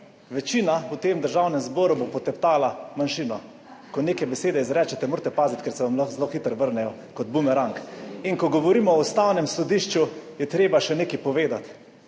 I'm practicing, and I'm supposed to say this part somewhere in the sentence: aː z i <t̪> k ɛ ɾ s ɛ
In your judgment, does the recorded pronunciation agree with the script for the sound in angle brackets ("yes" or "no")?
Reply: yes